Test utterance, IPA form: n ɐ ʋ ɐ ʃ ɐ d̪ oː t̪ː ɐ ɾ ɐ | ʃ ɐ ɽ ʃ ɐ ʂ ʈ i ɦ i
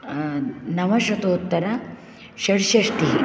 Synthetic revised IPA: n ɐ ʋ ɐ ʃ ɐ t̪ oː t̪ː ɐ ɾ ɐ | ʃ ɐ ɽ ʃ ɐ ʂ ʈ i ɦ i